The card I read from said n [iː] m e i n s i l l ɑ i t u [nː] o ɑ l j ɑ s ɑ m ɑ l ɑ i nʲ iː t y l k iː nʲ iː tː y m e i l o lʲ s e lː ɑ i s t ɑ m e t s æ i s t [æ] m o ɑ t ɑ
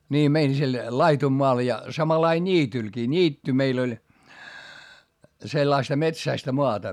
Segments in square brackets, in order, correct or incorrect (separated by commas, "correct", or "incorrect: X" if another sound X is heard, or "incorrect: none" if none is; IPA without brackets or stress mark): correct, incorrect: mː, correct